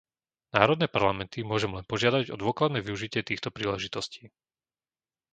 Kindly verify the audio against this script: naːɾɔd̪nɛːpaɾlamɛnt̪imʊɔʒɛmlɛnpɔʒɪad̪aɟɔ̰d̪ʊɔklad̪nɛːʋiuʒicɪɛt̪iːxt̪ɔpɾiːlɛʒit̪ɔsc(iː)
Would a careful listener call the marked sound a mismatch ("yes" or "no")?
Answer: no